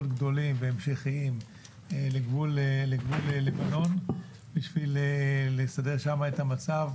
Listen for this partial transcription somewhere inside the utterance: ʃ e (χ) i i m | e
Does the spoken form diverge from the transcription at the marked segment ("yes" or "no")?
no